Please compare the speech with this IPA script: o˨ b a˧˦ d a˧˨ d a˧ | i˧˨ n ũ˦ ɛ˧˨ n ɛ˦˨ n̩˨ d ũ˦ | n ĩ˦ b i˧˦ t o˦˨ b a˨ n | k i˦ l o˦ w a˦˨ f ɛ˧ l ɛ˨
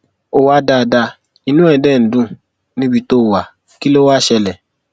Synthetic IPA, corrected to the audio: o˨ w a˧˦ d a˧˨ d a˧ | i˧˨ n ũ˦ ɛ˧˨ d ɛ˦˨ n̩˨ d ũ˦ | n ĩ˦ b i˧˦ t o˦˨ w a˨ | k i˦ l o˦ w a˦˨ ʃ ɛ˧ l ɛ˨